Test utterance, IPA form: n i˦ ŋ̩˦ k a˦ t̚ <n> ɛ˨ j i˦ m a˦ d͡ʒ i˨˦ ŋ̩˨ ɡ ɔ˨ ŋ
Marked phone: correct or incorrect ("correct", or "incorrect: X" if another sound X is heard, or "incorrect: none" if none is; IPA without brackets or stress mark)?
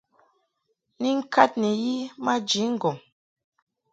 correct